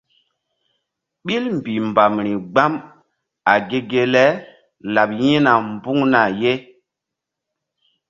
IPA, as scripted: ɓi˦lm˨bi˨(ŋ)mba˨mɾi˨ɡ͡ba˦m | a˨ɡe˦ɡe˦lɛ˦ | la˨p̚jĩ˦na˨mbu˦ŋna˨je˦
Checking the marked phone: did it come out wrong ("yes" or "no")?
yes